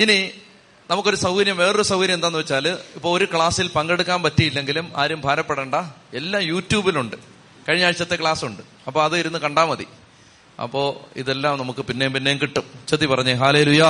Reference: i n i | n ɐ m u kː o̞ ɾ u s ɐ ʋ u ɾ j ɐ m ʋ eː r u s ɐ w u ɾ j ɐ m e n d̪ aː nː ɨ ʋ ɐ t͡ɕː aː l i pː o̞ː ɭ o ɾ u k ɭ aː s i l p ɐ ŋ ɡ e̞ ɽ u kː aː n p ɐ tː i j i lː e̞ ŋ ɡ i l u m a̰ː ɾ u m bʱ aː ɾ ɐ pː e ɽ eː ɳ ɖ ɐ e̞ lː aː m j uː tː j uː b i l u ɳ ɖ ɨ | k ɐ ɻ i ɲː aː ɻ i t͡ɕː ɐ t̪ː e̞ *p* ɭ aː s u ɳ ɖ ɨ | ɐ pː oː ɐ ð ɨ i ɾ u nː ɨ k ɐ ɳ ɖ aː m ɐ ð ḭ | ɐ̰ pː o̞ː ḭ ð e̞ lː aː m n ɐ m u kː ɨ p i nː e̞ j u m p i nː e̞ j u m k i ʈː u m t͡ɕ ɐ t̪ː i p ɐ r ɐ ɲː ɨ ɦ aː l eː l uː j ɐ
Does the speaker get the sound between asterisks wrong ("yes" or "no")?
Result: yes